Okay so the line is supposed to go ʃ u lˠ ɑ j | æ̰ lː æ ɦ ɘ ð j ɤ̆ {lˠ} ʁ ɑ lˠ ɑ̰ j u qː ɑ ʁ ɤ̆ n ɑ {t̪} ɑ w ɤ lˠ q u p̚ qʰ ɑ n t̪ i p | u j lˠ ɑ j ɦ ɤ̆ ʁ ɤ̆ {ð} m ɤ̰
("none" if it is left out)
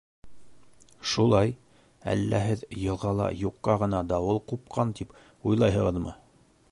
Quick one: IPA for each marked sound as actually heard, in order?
lˠ, d̪, ð

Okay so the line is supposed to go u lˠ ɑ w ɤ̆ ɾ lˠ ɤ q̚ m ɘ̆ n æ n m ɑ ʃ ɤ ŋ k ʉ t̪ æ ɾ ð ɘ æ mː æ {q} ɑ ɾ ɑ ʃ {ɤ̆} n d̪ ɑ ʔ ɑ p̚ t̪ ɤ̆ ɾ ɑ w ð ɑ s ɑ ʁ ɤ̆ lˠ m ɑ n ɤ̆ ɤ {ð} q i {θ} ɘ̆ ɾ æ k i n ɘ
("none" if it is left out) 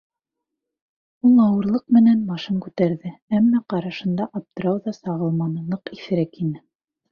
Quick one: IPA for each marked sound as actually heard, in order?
q, ɤ̆, none, θ

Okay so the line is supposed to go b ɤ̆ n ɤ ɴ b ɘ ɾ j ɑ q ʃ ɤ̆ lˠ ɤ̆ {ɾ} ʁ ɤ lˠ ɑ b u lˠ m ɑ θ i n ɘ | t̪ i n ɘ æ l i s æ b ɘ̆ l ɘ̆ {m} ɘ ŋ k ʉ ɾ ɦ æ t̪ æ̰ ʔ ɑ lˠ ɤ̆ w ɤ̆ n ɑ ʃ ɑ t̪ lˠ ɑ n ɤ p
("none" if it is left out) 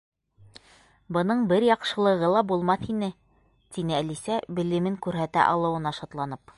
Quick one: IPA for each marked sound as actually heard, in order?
none, m

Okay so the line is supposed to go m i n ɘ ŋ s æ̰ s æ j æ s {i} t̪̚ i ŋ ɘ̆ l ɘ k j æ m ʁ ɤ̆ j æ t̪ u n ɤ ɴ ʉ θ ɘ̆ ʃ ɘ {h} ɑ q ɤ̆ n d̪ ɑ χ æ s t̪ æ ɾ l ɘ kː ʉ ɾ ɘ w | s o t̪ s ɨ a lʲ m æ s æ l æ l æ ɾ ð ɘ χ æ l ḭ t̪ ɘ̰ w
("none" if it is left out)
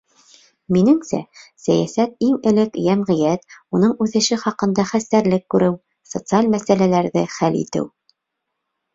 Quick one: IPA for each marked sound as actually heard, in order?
æ, χ

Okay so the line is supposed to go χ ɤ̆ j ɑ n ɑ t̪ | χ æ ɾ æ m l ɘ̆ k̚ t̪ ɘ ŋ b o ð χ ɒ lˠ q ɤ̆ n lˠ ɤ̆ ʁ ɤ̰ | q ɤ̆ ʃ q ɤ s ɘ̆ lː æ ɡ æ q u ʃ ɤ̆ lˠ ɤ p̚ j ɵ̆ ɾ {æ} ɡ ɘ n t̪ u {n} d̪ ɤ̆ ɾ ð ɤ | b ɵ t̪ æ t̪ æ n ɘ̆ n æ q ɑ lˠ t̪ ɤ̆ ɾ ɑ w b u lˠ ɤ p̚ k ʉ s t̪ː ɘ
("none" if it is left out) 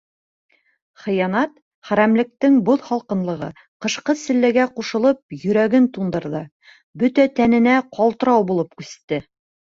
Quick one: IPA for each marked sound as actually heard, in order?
æ, n

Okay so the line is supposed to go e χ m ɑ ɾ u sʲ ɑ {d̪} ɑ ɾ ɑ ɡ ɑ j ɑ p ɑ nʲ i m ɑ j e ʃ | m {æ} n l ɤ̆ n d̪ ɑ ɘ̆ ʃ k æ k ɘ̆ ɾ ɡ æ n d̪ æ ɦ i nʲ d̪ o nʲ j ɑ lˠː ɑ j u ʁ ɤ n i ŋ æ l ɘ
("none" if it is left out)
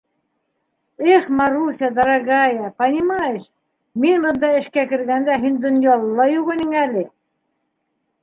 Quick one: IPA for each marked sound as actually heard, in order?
d̪, i

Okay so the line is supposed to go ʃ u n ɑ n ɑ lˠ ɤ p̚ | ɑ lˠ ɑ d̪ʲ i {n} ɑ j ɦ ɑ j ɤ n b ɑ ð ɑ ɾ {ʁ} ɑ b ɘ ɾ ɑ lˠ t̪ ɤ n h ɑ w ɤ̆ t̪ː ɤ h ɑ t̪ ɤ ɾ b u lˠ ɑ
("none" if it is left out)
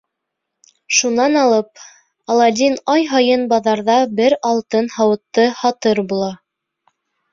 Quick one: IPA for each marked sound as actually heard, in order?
n, ð

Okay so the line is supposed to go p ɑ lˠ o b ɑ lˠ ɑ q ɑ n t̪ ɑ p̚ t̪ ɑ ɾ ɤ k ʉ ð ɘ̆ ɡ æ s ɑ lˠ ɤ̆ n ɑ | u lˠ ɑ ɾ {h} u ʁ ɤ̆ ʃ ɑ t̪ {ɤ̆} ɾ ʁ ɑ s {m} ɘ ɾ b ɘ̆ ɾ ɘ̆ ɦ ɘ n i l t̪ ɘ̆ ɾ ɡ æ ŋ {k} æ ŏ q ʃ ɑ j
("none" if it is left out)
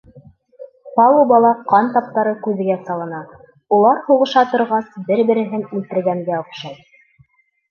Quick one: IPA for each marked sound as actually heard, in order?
h, ŏ, b, ɡ

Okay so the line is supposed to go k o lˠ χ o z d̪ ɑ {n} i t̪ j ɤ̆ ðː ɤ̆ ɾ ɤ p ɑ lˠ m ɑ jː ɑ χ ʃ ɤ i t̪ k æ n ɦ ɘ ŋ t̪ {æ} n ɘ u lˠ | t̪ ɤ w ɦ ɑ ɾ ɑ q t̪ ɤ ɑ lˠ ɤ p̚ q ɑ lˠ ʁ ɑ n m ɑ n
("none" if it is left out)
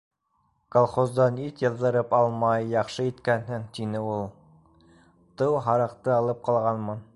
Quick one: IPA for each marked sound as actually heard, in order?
n, i

